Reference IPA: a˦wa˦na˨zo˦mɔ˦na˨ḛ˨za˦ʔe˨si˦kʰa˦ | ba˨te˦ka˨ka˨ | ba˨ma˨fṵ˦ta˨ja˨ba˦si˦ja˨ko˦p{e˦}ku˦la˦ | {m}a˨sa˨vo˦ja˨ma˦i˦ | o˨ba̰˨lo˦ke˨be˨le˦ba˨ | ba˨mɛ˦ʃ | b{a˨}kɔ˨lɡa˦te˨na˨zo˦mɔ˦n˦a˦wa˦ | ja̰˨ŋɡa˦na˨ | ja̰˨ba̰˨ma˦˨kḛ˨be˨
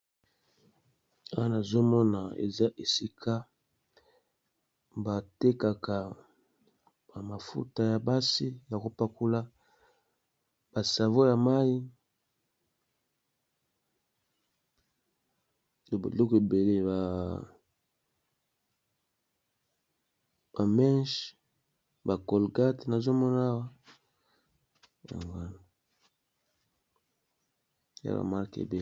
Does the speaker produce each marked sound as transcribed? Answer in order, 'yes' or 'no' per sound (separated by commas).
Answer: no, no, yes